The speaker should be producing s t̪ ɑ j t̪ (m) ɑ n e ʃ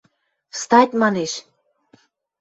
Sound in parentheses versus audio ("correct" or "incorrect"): correct